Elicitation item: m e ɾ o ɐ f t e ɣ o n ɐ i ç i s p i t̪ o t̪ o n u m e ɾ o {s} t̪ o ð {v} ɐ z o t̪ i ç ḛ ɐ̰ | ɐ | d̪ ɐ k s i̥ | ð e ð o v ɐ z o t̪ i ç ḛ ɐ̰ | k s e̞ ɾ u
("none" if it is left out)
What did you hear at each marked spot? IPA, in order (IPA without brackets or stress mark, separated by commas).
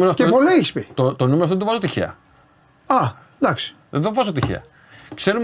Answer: f, v